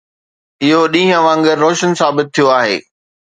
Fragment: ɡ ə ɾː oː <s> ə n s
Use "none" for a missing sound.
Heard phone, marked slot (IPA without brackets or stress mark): ʃ